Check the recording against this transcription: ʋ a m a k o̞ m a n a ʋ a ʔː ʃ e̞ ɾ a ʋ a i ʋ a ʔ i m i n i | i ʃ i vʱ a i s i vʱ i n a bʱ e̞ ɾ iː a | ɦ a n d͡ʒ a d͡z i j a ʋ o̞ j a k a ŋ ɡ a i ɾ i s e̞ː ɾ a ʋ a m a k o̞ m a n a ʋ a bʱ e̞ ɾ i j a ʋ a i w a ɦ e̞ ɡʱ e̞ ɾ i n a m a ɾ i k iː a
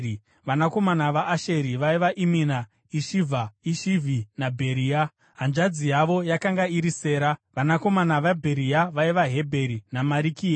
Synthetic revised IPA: ʋ a n a k o̞ m a n a ʋ a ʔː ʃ e̞ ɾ i ʋ a i ʋ a ʔ i m i n a | i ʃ i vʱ a i ʃ i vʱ i n a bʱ e̞ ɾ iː a | ɦ a n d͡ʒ a d͡z i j a ʋ o̞ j a k a ŋ ɡ a i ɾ i s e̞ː ɾ a ʋ a n a k o̞ m a n a ʋ a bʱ e̞ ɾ i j a ʋ a i ʋ a ɦ e̞ bʱ e̞ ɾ i n a m a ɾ i k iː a